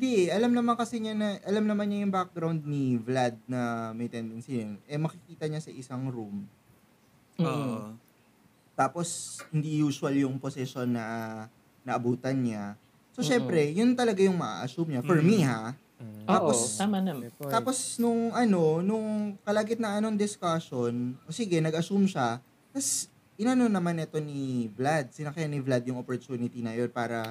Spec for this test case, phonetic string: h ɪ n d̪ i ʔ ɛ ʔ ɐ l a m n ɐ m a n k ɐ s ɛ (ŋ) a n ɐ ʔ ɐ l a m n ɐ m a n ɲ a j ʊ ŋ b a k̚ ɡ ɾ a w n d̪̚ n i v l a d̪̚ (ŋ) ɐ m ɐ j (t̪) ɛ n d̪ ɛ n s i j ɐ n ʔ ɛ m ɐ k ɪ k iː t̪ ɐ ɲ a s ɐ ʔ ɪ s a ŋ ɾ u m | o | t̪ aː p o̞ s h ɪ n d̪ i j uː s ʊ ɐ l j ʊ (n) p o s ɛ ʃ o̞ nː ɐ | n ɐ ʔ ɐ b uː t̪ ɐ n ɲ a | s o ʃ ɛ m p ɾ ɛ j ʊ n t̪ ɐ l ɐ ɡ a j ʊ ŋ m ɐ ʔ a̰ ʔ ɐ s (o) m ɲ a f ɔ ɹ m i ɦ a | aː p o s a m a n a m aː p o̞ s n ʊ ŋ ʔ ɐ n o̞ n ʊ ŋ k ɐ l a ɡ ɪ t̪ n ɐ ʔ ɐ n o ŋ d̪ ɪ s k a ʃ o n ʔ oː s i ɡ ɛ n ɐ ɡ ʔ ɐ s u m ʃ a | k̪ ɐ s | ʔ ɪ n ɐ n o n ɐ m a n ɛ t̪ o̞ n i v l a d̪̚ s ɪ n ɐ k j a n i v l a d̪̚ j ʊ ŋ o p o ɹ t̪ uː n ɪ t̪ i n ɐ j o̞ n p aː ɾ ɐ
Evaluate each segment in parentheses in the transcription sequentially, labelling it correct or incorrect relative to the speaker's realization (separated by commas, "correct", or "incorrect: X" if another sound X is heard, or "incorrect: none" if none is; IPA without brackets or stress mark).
incorrect: ɲ, incorrect: n, correct, incorrect: ŋ, incorrect: u